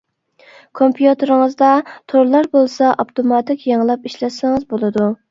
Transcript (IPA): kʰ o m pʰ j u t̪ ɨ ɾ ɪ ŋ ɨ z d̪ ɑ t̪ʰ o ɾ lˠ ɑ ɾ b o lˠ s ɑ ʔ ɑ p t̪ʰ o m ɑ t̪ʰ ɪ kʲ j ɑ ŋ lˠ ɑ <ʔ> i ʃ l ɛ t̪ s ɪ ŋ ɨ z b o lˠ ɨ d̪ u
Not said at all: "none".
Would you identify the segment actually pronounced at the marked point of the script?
p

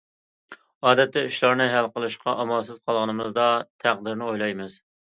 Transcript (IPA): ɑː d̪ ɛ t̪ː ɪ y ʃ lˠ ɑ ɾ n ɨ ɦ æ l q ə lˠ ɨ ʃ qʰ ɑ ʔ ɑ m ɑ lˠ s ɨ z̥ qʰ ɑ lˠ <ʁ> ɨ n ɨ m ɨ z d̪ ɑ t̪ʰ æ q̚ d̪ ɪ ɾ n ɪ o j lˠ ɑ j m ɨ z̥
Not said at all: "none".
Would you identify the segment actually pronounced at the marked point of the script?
ʁ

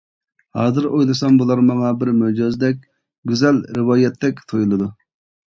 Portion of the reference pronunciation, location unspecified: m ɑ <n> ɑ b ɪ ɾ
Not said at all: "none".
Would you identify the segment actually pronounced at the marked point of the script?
ŋ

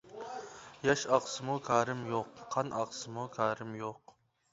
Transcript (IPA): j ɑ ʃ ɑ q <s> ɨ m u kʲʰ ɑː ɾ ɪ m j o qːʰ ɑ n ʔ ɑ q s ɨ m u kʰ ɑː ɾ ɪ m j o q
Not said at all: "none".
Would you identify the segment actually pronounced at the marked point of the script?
s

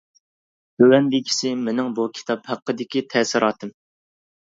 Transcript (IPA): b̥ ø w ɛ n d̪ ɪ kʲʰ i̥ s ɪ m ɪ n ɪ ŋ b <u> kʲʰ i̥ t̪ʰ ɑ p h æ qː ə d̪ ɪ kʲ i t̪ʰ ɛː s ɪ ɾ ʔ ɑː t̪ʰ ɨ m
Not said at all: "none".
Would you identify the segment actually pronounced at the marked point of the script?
u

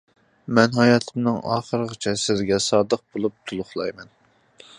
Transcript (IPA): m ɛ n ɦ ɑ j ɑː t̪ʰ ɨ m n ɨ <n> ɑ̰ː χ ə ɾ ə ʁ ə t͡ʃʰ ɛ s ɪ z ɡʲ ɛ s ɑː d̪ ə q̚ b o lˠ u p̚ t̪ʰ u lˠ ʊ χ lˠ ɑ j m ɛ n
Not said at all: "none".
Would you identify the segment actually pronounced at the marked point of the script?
ŋ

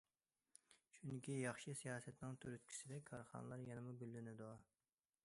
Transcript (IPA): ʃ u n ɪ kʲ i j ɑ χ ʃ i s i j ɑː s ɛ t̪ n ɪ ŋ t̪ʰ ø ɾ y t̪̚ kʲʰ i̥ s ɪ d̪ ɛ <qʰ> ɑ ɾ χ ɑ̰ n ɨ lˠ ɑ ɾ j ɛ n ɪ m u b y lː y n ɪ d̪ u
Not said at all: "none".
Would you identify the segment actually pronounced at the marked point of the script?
kʰ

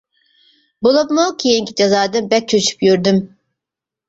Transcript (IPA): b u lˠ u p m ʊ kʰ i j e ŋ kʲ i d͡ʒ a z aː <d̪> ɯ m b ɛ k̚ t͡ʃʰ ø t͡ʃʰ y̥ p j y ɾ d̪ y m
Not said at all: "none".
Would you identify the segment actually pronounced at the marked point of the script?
d̪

